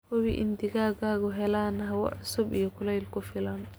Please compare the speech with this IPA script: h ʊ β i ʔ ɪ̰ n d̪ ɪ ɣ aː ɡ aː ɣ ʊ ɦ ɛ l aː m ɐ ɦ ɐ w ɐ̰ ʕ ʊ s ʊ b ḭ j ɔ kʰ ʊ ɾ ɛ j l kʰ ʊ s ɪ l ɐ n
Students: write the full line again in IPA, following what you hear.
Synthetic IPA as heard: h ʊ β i ʔ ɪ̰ n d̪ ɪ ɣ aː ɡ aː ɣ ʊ ɦ ɛ l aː n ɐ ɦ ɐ w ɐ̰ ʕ ʊ s ʊ b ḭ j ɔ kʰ ʊ l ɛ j l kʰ ʊ f ɪ l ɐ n